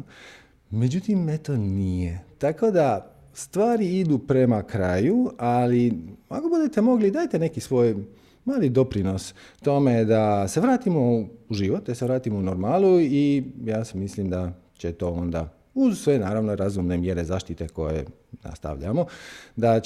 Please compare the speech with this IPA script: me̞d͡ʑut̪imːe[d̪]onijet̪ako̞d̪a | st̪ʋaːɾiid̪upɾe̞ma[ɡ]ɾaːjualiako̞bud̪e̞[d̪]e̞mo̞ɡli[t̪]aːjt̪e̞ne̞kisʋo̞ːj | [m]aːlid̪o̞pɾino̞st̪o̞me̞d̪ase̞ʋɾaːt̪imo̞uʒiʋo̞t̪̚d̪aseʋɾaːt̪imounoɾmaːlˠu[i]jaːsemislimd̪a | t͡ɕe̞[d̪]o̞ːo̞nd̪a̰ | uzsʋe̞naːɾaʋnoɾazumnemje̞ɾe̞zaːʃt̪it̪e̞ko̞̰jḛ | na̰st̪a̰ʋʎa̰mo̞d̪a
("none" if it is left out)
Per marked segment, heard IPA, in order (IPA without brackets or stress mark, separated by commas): t̪, k, t̪, d̪, m, i, t̪